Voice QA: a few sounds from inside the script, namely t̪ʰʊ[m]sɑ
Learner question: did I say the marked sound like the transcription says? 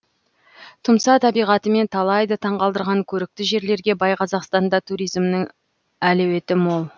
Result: yes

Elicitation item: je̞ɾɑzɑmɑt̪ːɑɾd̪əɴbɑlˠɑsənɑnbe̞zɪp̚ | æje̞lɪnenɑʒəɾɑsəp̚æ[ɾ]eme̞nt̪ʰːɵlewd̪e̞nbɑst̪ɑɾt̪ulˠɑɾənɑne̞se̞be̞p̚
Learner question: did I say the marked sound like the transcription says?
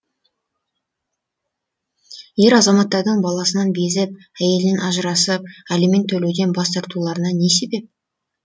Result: no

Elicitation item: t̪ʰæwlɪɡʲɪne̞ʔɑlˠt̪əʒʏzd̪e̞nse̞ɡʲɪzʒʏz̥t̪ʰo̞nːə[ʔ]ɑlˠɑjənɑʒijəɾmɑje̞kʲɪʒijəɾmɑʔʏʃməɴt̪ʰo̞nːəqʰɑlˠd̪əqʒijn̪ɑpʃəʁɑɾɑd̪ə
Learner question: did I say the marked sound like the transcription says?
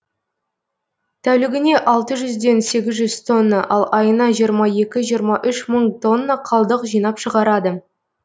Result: yes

